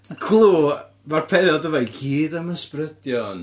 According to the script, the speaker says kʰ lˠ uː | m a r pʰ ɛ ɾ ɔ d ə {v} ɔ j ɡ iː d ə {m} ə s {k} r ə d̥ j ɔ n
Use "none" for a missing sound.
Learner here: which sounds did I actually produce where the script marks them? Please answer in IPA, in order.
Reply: v, m, p

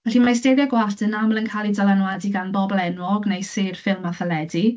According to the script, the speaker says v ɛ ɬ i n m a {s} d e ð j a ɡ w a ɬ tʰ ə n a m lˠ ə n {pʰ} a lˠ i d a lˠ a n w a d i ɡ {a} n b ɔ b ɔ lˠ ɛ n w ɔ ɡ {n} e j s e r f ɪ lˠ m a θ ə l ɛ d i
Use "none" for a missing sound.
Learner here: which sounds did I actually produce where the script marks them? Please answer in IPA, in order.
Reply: s, kʰ, a, n

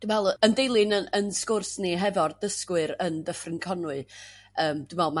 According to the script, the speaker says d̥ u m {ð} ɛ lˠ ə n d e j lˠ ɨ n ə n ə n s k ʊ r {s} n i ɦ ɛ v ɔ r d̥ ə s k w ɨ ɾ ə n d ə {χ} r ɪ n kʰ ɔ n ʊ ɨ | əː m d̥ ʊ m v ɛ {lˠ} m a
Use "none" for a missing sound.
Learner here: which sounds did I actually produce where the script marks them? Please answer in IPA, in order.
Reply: v, s, f, lˠ

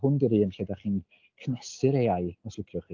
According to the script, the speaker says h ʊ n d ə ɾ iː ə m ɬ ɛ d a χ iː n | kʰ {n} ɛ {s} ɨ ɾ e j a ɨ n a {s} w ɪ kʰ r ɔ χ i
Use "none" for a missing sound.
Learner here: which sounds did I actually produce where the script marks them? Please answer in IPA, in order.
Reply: n, s, s

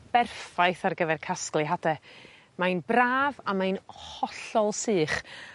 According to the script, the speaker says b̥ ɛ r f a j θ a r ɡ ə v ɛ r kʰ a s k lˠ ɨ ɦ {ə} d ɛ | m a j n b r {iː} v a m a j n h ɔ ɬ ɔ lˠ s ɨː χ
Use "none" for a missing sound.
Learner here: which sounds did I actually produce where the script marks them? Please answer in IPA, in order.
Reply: a, aː

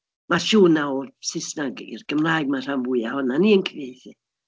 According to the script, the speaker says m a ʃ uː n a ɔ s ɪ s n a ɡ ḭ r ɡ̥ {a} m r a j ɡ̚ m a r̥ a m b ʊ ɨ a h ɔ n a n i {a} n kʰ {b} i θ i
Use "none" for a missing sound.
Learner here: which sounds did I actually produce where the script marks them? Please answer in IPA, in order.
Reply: ə, ə, v

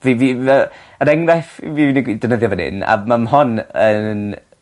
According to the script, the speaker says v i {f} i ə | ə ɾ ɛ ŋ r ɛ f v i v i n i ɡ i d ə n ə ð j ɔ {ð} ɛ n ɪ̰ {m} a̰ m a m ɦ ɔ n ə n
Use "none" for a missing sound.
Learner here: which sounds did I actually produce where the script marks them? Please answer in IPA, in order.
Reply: v, v, n

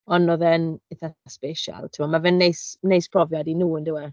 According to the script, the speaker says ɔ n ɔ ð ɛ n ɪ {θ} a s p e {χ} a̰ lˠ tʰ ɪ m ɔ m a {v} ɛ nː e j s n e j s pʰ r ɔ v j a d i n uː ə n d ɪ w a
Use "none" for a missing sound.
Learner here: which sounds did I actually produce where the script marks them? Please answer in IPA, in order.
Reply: θ, ʃ, v

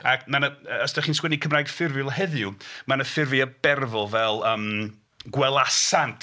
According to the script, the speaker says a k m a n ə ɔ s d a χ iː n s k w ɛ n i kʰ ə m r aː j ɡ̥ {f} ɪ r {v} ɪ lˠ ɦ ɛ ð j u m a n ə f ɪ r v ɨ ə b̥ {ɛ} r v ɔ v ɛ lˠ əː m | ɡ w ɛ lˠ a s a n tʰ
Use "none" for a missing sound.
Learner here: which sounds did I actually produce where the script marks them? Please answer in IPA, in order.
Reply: f, v, ɛ

